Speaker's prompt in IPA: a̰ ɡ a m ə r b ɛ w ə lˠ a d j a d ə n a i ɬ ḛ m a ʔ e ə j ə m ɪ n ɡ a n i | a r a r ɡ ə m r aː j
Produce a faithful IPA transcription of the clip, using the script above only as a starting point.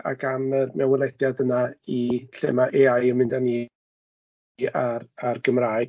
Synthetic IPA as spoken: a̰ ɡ a m ə r m ɛ w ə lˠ ɛ d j a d ə n a i ɬ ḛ m a ʔ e a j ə m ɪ n d a n i | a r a r ɡ ə m r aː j